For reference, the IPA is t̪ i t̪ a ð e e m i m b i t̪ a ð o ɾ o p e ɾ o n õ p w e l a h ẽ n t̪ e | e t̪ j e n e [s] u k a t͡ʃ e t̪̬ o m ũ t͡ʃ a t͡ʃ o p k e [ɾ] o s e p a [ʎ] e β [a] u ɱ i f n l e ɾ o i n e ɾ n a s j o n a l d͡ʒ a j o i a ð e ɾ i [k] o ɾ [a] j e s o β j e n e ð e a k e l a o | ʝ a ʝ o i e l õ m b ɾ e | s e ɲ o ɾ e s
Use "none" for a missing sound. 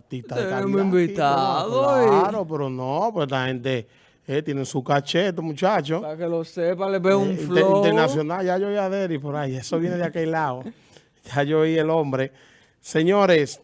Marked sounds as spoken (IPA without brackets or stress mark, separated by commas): s, l, l, e, p, a